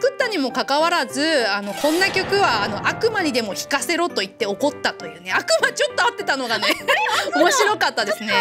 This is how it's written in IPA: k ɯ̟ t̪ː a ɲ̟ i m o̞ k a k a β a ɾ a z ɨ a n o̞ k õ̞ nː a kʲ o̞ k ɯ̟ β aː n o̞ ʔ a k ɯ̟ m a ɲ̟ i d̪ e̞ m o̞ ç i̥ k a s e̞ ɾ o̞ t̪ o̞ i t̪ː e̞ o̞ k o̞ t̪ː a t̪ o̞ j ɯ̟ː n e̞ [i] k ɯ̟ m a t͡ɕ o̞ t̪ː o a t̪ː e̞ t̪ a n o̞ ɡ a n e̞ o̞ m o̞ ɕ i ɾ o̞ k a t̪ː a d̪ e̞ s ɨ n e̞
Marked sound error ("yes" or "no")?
yes